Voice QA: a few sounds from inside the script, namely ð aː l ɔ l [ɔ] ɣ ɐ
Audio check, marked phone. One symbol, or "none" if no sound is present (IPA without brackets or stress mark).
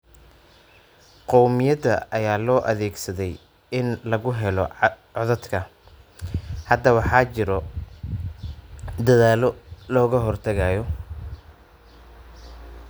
ɔː